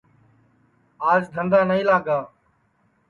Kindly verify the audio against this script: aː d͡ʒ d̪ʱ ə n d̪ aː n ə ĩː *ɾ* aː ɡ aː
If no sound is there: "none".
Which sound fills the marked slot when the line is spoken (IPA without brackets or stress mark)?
l